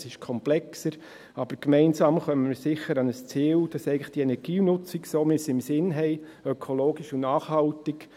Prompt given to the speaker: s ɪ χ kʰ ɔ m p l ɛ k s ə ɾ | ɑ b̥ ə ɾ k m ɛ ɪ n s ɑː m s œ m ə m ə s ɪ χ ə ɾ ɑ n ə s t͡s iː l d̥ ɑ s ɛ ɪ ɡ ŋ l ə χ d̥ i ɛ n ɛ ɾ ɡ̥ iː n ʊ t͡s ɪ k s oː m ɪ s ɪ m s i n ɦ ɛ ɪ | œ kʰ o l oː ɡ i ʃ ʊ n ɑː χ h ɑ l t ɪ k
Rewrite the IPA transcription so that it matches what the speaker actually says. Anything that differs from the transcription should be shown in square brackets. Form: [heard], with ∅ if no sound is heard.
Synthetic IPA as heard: s ɪ [ʃ] kʰ ɔ m p l ɛ k s ə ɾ | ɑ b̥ ə ɾ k m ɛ ɪ n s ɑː m [χ] œ m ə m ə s ɪ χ ə ɾ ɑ n ə s t͡s iː l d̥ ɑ s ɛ ɪ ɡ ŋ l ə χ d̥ i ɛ n ɛ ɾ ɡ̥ iː n ʊ t͡s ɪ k s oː m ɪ s ɪ m s [ɪ] n ɦ ɛ ɪ | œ kʰ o l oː ɡ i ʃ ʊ n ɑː χ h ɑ l t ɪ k